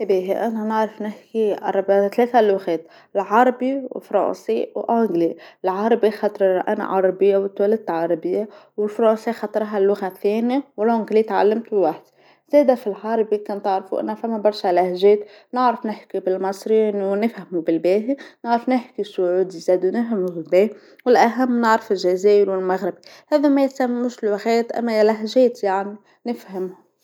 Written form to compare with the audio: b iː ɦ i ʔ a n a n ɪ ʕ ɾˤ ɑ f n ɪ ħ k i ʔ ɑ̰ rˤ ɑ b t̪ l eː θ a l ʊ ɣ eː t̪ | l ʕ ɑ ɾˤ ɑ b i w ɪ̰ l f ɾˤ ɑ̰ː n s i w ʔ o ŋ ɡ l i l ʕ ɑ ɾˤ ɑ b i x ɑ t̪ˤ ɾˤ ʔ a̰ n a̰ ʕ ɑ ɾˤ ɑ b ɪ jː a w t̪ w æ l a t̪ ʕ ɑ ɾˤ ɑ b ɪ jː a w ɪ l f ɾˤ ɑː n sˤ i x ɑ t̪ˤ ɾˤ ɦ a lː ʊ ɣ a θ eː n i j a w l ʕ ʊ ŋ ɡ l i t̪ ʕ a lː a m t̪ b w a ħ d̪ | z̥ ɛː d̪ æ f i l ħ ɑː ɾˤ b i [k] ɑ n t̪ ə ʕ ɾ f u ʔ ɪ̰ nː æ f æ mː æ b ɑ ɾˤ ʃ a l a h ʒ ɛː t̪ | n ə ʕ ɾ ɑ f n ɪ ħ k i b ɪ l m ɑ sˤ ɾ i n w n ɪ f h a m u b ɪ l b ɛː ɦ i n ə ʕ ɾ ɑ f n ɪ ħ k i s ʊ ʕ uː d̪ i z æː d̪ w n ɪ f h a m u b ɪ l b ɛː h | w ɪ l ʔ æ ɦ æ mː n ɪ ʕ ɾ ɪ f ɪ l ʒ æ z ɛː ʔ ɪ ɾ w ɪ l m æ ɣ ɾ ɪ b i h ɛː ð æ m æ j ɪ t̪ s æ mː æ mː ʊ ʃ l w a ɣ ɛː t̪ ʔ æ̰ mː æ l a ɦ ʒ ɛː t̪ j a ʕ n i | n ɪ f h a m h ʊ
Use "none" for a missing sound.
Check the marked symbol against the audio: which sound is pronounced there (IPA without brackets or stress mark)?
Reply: k